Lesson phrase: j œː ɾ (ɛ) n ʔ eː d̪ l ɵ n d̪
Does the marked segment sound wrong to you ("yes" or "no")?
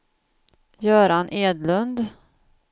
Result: yes